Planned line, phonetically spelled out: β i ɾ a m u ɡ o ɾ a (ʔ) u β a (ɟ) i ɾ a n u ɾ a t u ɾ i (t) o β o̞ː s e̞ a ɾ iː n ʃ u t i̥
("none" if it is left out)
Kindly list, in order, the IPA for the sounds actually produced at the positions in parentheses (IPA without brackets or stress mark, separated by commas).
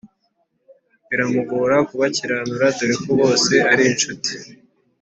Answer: k, c, k